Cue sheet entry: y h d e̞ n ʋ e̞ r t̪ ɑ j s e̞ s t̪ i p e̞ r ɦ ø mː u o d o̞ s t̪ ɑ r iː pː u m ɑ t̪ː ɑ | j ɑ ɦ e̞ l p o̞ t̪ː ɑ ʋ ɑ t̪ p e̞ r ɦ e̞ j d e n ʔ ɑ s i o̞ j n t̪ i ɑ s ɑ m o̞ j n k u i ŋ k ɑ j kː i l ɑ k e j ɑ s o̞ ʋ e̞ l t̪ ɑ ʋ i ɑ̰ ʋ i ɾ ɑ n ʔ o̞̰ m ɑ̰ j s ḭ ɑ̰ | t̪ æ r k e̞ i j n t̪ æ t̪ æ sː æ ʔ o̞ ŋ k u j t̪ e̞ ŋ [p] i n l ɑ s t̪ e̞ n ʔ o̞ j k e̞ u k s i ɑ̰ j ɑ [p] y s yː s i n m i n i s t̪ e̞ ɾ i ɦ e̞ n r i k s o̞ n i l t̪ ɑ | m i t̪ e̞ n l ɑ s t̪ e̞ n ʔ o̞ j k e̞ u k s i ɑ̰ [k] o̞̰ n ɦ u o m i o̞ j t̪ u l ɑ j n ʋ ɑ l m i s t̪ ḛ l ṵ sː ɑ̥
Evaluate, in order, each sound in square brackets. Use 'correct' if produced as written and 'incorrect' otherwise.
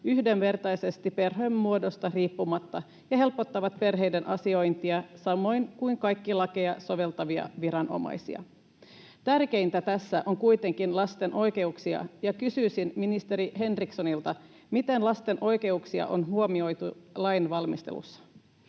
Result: incorrect: k, incorrect: k, incorrect: ʔ

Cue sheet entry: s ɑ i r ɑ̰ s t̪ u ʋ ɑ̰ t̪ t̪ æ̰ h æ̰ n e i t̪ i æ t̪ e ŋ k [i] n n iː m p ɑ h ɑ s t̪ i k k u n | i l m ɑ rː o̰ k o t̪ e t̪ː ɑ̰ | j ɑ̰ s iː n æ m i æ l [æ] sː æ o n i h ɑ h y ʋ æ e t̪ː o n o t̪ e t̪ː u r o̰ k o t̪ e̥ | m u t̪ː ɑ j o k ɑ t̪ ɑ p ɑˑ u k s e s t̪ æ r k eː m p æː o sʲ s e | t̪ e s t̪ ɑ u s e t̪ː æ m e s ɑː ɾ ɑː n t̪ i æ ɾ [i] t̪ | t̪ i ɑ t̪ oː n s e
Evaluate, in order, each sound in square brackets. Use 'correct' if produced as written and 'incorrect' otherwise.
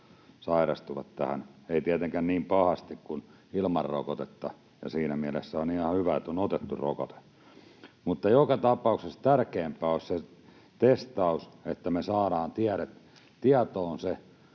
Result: incorrect: æ, incorrect: e, incorrect: e

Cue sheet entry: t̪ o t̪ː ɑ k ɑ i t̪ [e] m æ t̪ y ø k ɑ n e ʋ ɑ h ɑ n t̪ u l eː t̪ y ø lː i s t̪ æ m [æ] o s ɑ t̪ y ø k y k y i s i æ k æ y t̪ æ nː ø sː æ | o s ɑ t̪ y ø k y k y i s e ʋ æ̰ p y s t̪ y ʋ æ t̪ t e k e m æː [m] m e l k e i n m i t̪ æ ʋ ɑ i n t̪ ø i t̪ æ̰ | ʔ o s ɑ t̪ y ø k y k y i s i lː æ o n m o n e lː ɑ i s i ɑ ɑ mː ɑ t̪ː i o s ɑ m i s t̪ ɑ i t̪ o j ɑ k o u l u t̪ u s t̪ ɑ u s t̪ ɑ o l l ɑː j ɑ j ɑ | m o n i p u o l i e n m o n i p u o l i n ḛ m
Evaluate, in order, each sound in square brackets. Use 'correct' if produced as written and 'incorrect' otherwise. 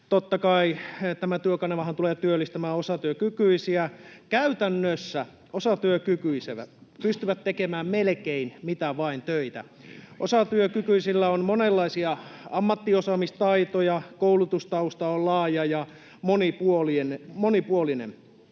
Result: incorrect: æ, incorrect: æː, correct

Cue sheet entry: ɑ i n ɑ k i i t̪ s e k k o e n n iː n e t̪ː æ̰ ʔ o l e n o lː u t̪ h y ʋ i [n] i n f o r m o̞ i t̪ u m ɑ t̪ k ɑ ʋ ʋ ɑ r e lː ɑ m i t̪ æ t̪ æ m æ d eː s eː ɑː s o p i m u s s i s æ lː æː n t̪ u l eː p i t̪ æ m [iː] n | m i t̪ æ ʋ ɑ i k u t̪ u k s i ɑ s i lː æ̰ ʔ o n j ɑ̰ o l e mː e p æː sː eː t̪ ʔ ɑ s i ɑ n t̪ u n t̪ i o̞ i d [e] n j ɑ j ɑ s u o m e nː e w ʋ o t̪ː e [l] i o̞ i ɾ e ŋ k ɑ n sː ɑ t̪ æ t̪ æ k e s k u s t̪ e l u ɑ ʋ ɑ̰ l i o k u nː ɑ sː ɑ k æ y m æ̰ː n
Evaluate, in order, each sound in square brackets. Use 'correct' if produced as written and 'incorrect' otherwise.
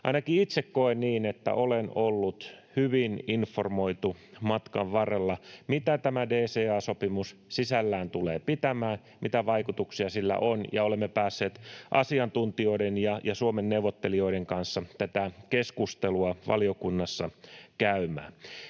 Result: correct, incorrect: æː, correct, correct

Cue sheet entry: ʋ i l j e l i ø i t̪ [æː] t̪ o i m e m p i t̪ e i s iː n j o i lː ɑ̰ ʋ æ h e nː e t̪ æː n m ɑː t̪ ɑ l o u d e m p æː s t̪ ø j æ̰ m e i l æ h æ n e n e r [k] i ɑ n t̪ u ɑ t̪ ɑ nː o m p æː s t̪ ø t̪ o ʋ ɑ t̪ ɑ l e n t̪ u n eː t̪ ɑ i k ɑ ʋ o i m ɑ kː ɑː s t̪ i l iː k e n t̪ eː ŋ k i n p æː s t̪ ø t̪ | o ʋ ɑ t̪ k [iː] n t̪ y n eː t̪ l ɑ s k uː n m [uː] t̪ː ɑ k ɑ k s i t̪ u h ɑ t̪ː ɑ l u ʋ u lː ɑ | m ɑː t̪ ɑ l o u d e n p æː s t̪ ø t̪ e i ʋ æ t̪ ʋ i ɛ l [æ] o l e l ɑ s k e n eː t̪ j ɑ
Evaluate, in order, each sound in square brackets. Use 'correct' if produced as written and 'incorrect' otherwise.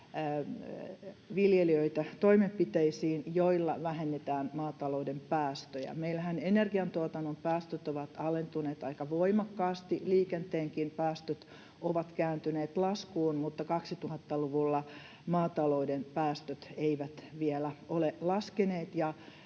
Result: incorrect: æ, incorrect: ɡ, incorrect: æː, incorrect: u, correct

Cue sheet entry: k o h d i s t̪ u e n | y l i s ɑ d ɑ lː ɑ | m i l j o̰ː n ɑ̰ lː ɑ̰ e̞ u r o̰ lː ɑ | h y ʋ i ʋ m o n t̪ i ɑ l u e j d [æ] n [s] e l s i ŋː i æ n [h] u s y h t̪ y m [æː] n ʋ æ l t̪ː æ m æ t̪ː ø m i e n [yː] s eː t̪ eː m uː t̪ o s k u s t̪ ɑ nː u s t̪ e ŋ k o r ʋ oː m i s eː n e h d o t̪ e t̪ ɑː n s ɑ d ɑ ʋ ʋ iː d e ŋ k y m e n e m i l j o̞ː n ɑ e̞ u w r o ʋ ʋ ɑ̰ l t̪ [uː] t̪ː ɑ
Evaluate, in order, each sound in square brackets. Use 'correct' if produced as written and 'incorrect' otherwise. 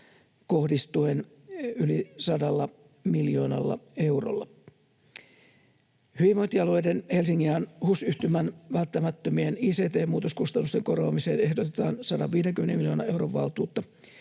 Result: incorrect: e, incorrect: h, correct, incorrect: æ, incorrect: iː, correct

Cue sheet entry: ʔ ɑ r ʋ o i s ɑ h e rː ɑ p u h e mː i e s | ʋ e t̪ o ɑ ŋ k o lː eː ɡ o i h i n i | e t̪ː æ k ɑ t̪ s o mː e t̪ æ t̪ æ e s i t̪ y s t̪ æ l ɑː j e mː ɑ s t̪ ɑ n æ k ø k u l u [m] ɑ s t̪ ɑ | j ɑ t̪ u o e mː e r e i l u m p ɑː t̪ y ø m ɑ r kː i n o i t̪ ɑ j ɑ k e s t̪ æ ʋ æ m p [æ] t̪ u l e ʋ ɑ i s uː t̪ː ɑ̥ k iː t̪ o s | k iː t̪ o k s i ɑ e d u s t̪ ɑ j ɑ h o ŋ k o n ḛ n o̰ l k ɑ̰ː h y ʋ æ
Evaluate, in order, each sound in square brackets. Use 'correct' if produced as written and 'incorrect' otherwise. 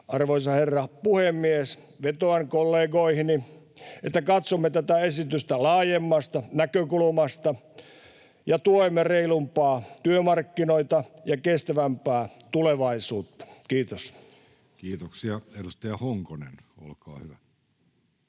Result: correct, incorrect: æː

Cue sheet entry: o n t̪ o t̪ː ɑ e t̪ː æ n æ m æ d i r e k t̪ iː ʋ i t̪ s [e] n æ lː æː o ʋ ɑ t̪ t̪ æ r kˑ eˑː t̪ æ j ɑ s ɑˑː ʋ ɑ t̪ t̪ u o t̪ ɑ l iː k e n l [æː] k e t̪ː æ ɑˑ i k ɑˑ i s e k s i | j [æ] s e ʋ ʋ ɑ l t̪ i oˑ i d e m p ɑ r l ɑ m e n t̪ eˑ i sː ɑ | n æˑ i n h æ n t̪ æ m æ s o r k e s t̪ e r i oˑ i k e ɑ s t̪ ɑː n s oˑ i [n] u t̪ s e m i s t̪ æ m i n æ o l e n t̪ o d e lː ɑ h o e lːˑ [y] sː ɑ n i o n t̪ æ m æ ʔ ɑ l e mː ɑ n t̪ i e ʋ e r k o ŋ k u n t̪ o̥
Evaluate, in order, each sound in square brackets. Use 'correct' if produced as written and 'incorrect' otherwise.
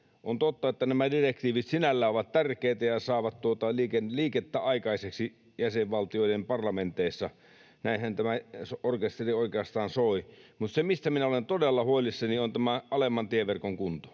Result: incorrect: i, incorrect: iː, correct, incorrect: m, incorrect: i

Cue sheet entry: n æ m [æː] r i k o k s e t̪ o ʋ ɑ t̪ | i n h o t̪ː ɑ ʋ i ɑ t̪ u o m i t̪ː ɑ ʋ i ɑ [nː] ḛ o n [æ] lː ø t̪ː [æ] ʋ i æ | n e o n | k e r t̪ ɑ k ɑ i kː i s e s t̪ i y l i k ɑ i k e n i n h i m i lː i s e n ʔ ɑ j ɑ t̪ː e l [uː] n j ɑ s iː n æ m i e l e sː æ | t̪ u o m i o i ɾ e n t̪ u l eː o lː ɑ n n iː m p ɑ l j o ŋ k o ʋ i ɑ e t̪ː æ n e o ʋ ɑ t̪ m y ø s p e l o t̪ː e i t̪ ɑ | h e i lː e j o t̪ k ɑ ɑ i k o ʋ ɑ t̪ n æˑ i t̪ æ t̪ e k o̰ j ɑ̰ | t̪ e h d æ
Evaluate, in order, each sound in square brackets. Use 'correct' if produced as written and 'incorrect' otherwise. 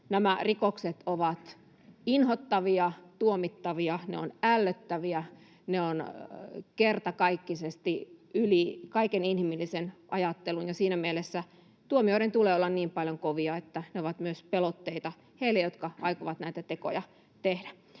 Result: incorrect: æ, incorrect: n, correct, correct, incorrect: u

